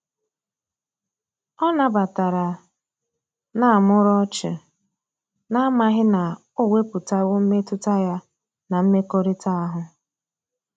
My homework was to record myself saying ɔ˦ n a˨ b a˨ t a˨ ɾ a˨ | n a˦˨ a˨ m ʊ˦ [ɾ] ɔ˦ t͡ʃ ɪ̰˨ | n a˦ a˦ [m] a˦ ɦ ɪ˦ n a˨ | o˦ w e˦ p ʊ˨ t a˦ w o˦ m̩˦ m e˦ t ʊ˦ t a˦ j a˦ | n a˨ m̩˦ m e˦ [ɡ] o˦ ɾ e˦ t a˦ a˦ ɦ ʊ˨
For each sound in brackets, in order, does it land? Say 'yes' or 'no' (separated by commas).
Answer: yes, yes, no